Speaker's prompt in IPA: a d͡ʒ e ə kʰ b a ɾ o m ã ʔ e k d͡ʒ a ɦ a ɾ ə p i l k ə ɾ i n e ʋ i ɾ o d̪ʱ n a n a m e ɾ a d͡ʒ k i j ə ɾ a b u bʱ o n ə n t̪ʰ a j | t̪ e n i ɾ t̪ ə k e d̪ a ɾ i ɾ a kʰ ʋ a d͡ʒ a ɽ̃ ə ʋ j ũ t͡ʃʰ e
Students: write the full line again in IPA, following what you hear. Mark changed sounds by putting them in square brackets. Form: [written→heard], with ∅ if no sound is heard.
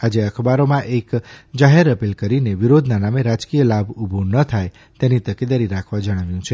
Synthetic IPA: a d͡ʒ e ə kʰ b a ɾ o m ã ʔ e k d͡ʒ a ɦ [a→e] ɾ ə p i l k ə ɾ i n e ʋ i ɾ o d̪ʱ n a n a m e ɾ a d͡ʒ k i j ə [ɾ→l] a b u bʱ o n ə [n→∅] t̪ʰ a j | t̪ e n i [ɾ→∅] t̪ ə k e d̪ a ɾ i ɾ a kʰ ʋ a d͡ʒ [a→ə] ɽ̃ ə ʋ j ũ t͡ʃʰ e

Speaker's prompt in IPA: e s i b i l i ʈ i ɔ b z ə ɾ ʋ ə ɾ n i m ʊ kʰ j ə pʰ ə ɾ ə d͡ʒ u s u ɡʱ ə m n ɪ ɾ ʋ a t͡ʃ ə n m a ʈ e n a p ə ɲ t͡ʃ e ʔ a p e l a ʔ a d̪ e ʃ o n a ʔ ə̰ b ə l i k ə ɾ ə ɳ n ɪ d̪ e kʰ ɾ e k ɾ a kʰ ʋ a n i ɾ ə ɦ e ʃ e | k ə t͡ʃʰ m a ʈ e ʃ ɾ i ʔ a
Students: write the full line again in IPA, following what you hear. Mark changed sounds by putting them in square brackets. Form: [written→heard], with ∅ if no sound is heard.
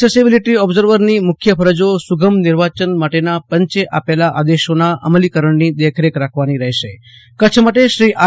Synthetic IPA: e s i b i l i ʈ i ɔ b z ə ɾ ʋ ə ɾ n i m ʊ kʰ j ə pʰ ə ɾ ə d͡ʒ [u→o] s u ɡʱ ə m n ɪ ɾ ʋ a t͡ʃ ə n m a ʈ e n a p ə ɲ t͡ʃ e ʔ a p e l a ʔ a d̪ e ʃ o n a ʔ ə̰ [b→m] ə l i k ə ɾ ə ɳ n [ɪ→i] d̪ e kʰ ɾ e k ɾ a kʰ ʋ a n i ɾ ə ɦ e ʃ e | k ə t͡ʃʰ m a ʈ e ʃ ɾ i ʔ a

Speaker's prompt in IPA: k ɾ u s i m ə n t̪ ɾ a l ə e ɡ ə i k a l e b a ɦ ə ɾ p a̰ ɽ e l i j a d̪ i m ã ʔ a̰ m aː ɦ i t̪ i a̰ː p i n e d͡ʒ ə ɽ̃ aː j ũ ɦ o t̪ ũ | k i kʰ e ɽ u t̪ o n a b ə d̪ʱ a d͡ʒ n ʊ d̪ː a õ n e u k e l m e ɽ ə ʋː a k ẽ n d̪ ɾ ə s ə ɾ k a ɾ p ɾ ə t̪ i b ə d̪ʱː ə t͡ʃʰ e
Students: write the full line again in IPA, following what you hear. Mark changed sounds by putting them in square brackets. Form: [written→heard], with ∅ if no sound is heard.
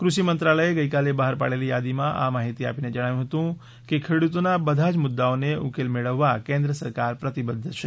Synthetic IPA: k ɾ u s i m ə n t̪ ɾ a l ə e ɡ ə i k a l e b a ɦ ə ɾ p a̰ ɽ e l i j a d̪ i m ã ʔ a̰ m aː ɦ i t̪ i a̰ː p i n e d͡ʒ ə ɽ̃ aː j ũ ɦ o t̪ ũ | k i kʰ e ɽ u t̪ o n a b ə d̪ʱ a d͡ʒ [n→m] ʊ d̪ː a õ n e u k e l m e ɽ ə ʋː a k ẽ n d̪ ɾ ə s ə ɾ k a ɾ p ɾ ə t̪ i b ə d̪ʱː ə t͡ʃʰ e

